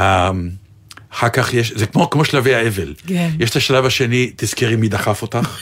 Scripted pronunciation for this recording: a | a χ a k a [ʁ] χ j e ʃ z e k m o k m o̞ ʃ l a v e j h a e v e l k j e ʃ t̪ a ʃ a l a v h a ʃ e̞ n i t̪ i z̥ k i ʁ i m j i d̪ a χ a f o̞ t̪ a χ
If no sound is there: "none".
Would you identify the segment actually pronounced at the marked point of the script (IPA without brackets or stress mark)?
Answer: none